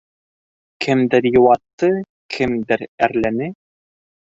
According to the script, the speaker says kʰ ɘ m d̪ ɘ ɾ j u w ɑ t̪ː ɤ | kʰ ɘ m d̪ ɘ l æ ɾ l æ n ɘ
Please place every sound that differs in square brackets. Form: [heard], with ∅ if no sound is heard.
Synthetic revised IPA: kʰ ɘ m d̪ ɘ ɾ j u w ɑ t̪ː ɤ | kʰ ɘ m d̪ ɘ [ɾ] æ ɾ l æ n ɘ